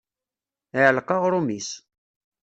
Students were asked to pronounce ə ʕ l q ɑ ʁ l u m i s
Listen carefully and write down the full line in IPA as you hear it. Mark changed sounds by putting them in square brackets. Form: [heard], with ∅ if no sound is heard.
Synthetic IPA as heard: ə ʕ l q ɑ ʁ [ɾ] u m i s